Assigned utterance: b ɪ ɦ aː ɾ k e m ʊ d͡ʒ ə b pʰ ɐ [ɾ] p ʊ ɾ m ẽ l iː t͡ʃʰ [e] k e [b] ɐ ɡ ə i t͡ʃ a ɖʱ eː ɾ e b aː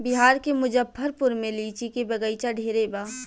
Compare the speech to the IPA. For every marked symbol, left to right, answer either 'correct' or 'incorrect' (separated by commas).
correct, incorrect, correct